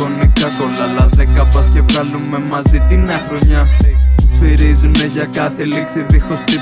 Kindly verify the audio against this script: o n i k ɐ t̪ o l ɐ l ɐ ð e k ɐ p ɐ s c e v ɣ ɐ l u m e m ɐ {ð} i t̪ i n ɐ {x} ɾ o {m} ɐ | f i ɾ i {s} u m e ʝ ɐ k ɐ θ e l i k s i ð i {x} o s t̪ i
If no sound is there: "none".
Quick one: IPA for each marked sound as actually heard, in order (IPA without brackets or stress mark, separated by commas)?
z, x, ɲ, z, x